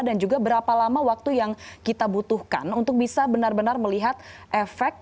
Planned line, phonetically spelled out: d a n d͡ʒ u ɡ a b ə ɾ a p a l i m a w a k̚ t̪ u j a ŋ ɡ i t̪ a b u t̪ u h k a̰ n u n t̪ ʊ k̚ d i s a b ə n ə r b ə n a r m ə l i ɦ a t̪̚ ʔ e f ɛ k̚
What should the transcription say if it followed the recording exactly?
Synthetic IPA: d a n d͡ʒ u ɡ a b ə ɾ a p a l a m a w a k̚ t̪ u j a ŋ k i t̪ a b u t̪ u h k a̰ n u n t̪ ʊ k̚ b i s a b ə n a r b ə n a r m ə l i ɦ a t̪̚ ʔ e f ɛ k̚